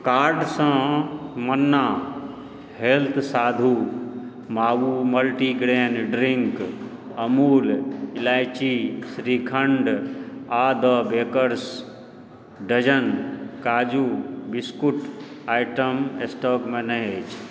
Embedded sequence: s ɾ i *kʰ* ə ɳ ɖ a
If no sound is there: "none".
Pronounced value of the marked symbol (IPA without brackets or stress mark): kʰ